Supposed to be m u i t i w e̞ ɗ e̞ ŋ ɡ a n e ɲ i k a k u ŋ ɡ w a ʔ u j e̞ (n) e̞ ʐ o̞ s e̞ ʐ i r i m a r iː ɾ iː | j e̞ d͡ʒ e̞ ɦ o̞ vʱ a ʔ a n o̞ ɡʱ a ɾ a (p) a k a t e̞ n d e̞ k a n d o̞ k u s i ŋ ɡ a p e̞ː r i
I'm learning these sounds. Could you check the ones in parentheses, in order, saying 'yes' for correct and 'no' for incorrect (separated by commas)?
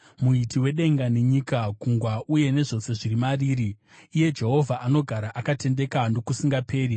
yes, no